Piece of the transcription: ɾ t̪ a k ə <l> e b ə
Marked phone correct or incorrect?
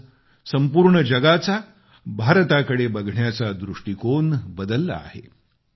incorrect: ɽ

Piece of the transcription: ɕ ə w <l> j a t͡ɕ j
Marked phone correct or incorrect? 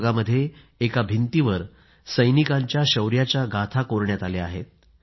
incorrect: ɾ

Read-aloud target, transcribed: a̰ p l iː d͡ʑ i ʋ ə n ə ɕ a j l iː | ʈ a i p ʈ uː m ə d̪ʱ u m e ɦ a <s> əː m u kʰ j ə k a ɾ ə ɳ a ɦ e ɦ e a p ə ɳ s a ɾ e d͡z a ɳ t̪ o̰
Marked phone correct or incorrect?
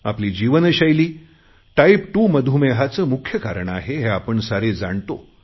incorrect: t͡s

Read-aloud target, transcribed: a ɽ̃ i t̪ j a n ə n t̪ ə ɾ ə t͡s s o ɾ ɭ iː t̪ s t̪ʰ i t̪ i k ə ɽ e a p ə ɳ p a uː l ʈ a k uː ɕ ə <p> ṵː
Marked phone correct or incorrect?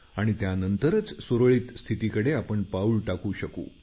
incorrect: k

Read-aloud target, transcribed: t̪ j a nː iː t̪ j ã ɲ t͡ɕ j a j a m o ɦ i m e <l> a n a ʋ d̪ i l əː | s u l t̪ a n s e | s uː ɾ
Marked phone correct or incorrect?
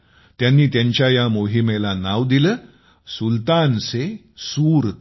correct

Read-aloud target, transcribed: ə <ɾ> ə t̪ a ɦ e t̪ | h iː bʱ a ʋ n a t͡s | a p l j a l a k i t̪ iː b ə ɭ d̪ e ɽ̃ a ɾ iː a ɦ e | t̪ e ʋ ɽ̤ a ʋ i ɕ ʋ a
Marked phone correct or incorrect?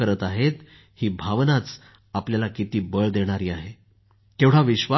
correct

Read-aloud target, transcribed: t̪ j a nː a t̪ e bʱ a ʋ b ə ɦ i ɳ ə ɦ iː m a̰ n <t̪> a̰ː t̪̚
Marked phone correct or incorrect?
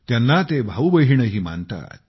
correct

